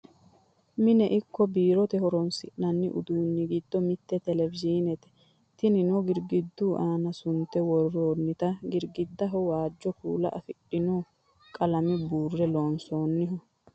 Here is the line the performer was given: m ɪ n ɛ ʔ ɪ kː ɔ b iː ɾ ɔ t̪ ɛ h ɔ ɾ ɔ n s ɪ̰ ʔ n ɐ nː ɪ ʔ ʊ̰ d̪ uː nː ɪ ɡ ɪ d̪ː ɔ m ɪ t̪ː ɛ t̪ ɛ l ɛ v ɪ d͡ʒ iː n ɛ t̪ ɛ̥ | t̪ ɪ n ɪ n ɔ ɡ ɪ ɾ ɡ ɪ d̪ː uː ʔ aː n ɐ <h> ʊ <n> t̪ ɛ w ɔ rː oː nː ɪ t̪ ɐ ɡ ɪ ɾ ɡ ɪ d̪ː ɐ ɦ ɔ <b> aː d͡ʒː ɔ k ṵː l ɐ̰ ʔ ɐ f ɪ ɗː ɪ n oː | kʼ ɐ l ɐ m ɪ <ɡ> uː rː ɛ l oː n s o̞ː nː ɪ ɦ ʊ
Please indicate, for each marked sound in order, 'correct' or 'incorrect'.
incorrect: s, correct, incorrect: w, incorrect: b

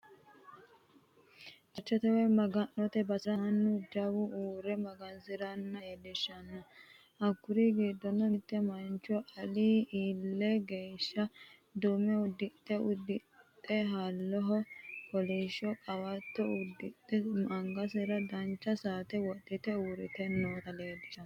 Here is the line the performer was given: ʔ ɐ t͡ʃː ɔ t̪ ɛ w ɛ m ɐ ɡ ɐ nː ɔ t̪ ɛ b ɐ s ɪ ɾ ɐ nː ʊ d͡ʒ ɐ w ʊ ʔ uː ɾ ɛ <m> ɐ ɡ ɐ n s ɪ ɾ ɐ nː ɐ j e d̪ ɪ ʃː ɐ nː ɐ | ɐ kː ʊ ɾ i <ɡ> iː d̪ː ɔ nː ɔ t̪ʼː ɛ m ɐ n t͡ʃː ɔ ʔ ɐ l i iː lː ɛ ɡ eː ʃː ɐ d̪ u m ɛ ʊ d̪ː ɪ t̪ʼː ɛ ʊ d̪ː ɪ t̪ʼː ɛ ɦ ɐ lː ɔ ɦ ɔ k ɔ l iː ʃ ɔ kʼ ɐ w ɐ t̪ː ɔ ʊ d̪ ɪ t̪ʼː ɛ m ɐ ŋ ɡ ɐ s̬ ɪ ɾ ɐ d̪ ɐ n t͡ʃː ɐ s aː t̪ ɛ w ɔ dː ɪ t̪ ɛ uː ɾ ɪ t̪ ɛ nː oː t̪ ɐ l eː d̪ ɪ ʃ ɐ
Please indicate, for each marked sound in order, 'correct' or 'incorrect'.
correct, correct

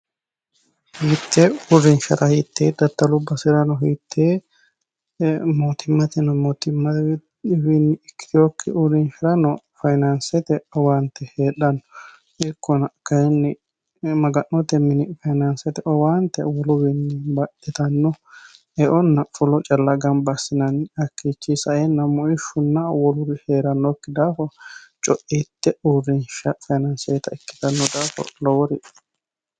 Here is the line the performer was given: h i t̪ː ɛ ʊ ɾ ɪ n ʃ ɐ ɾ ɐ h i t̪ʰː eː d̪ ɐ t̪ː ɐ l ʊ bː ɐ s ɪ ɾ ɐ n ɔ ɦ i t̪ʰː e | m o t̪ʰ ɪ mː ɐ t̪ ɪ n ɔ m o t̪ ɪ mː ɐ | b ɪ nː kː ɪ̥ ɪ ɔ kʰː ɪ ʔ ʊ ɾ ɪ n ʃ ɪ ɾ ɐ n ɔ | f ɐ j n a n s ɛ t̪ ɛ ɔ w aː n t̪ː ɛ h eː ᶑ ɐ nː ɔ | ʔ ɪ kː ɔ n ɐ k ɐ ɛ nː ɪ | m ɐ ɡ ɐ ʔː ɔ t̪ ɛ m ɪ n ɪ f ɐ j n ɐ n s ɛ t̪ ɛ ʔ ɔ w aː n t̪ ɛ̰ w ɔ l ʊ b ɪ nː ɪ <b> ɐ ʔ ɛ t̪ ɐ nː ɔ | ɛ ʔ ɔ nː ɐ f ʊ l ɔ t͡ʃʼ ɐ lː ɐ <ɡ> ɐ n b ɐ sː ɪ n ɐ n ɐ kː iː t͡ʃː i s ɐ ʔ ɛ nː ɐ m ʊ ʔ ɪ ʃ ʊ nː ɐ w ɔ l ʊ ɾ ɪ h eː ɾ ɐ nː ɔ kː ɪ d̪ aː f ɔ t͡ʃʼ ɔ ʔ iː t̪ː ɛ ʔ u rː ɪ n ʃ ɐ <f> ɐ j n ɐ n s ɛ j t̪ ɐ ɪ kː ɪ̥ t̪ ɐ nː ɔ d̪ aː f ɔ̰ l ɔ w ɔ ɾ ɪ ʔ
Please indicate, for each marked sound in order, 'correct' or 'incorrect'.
correct, correct, correct

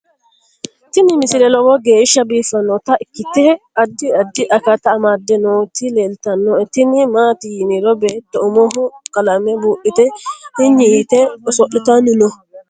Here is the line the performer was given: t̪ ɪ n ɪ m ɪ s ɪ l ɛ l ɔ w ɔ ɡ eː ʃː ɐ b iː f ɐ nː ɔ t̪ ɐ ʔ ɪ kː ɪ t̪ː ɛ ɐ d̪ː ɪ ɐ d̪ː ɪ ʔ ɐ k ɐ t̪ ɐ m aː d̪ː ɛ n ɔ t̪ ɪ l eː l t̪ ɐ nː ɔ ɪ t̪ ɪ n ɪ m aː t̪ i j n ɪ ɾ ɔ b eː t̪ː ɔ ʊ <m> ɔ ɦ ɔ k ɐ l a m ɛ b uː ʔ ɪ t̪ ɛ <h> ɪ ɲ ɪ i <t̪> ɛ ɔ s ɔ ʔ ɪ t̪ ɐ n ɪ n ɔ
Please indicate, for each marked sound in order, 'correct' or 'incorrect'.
correct, correct, correct

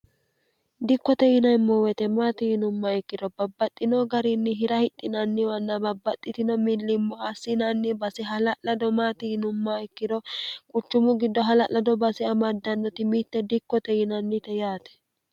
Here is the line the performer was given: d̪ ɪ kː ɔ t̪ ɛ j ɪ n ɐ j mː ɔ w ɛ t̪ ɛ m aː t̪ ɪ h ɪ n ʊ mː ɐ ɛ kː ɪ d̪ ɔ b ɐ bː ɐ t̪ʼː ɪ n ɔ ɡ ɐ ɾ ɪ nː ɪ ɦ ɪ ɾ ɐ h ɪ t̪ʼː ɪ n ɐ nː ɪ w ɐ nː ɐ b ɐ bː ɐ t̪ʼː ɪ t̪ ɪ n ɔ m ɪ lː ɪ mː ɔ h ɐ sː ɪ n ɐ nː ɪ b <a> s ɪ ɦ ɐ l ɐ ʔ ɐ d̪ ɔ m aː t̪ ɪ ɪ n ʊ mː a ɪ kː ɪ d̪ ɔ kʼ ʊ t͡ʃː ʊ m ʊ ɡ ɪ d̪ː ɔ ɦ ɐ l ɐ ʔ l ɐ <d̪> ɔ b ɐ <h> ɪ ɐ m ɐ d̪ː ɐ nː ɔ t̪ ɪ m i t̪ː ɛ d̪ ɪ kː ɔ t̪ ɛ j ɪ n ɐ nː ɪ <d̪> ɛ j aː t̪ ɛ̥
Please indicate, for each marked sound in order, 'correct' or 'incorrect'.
incorrect: ɐ, correct, incorrect: s, incorrect: t̪

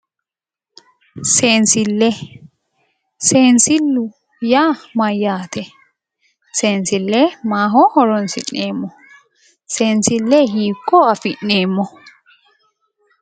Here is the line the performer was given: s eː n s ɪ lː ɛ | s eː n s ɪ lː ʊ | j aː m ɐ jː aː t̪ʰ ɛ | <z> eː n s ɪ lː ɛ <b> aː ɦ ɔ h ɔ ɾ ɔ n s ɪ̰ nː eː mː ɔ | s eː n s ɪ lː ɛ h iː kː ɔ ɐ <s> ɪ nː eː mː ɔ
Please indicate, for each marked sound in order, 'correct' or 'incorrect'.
incorrect: s, incorrect: m, incorrect: f

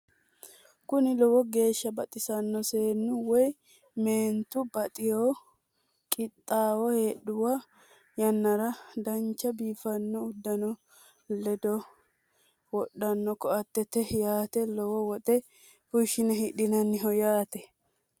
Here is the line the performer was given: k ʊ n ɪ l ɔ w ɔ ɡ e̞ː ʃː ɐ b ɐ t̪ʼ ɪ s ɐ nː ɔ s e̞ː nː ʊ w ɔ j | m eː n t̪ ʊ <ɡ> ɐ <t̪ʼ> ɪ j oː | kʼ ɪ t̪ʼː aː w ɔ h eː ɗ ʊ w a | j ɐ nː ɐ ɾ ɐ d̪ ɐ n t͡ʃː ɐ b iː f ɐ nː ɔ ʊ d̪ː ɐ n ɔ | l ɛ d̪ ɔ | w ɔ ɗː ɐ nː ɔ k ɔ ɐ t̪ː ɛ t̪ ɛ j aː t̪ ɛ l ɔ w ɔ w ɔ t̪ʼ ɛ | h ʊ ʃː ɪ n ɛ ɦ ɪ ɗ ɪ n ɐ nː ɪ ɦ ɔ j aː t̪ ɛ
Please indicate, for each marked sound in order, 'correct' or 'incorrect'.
incorrect: b, correct

